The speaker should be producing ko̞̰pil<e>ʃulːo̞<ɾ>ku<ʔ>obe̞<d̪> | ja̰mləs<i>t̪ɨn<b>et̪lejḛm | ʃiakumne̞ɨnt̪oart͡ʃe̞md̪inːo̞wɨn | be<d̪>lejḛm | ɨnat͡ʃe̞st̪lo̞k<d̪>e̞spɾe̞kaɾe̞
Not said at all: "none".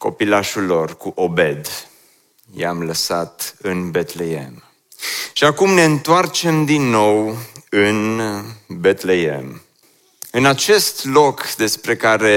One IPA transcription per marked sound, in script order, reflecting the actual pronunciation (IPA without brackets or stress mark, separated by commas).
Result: a, r, ʔ, d̪, a, b, t̪, d̪